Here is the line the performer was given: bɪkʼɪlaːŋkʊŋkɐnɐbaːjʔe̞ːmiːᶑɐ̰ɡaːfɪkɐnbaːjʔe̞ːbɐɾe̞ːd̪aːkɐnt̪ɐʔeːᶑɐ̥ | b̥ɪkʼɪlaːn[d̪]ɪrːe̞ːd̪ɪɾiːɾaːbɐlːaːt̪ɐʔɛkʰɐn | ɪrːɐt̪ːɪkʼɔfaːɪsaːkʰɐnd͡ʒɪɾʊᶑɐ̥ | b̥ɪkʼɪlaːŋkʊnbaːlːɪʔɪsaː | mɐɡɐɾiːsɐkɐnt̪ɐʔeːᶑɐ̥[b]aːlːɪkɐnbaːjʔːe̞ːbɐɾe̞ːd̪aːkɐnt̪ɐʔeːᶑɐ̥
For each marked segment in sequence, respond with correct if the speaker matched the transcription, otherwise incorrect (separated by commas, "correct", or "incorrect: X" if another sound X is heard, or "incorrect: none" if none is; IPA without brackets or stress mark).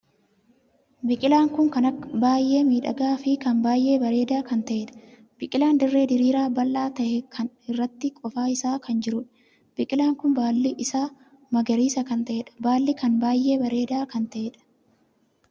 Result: correct, correct